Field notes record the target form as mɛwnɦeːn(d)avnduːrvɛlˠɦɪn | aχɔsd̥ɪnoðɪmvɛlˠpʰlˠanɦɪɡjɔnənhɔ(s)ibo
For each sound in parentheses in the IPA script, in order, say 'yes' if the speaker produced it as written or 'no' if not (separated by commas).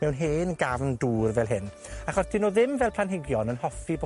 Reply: no, no